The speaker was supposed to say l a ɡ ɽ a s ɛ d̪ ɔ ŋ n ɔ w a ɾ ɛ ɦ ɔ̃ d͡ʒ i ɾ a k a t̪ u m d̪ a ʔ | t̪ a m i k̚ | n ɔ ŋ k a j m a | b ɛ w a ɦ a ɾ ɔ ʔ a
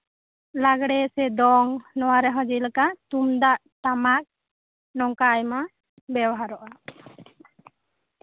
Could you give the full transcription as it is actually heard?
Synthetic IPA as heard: l a ɡ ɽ ɛ s ɛ d̪ ɔ ŋ n ɔ w a ɾ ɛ ɦ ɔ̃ d͡ʒ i l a k a t̪ u m d̪ a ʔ | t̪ a m a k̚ | n ɔ ŋ k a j m a | b ɛ w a ɦ a ɾ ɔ ʔ a